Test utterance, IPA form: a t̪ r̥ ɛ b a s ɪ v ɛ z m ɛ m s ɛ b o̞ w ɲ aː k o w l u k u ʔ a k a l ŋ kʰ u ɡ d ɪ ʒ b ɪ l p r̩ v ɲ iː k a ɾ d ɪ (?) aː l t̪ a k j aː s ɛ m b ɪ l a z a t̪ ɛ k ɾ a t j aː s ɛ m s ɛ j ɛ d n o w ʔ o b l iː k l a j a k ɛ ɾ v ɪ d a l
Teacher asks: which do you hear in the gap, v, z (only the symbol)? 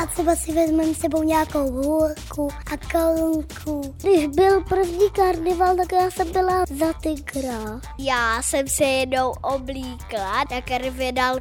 v